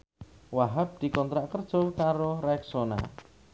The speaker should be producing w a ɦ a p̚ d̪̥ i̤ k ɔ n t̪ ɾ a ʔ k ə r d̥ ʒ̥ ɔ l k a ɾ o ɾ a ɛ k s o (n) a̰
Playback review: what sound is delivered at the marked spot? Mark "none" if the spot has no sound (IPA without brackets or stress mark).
n